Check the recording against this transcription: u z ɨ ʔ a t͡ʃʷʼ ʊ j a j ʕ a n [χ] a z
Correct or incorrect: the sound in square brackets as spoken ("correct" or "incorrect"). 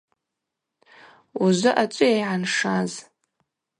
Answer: incorrect